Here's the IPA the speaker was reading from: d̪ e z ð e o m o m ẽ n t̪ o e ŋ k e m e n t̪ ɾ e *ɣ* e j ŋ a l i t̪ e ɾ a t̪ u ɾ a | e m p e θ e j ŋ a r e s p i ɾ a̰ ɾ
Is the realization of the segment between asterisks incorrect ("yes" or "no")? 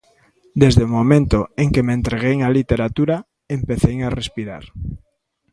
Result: no